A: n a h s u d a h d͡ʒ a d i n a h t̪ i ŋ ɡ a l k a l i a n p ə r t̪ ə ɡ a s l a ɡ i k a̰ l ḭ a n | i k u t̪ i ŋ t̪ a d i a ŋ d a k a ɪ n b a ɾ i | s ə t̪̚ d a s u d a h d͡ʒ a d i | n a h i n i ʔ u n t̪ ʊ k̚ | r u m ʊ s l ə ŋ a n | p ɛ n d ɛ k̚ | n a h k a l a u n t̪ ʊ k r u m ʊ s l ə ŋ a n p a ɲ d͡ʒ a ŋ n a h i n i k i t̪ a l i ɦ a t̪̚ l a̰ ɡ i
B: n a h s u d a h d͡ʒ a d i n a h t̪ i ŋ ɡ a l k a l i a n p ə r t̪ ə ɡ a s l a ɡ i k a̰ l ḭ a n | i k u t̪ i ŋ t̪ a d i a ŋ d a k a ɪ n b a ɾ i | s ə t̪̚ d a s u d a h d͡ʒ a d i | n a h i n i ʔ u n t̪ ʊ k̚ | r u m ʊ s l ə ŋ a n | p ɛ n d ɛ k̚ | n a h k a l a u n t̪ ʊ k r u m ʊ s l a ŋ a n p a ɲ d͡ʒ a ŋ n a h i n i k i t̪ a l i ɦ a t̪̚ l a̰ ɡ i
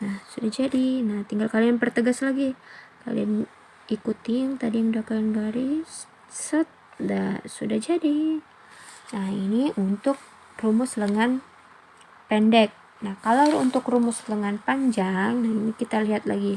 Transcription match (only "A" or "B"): A